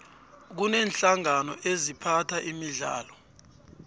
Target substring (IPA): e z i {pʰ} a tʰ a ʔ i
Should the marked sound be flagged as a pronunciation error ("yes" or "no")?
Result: no